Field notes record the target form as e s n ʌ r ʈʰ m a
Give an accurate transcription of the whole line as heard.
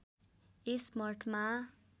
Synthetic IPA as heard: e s m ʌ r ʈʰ m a